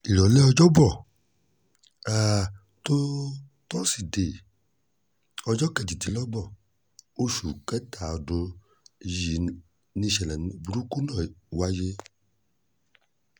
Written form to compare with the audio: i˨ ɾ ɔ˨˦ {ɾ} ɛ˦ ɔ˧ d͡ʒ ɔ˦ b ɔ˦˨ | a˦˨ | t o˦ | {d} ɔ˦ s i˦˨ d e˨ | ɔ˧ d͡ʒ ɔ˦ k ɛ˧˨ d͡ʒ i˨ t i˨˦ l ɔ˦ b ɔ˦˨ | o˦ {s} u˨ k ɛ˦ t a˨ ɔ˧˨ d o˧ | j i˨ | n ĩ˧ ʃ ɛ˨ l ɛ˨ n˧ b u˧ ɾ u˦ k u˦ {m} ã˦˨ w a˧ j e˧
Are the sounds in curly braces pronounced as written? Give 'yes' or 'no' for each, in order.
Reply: no, no, no, no

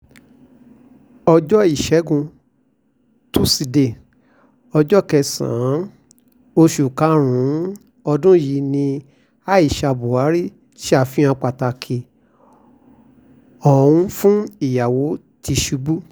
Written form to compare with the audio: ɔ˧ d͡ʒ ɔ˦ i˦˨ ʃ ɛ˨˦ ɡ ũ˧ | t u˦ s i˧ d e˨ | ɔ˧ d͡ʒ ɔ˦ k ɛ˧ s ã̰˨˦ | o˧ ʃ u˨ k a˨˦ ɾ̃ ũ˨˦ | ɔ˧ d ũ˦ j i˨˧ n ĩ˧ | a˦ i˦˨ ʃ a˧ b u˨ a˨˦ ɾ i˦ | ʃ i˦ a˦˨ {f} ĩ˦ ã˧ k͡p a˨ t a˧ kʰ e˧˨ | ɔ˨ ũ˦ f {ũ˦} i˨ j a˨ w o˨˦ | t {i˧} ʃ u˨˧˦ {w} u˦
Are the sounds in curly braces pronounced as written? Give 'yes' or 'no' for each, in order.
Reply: yes, yes, yes, no

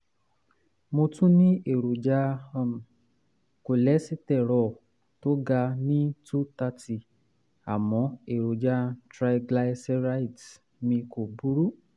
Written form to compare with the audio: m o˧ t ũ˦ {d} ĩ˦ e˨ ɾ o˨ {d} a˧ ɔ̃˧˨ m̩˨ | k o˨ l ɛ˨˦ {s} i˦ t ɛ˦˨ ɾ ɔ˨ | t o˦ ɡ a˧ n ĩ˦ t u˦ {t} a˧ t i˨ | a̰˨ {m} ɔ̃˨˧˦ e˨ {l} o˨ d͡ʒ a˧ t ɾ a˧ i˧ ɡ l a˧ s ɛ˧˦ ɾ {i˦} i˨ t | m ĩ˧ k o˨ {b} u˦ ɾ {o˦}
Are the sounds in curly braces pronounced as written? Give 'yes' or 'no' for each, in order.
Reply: no, no, yes, yes, yes, no, no, yes, no

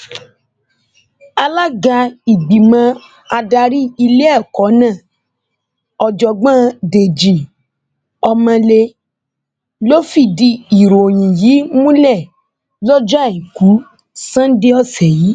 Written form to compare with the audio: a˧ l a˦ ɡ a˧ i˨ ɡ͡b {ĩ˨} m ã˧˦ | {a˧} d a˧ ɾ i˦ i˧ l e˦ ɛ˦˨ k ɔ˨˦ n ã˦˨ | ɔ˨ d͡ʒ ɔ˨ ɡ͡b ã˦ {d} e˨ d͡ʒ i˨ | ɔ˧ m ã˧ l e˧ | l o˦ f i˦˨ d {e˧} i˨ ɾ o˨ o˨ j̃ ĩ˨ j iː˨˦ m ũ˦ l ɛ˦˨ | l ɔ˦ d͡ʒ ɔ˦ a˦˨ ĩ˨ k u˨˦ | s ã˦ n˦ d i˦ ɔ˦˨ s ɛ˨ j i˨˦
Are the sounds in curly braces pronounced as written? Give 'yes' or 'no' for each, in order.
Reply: no, yes, yes, no

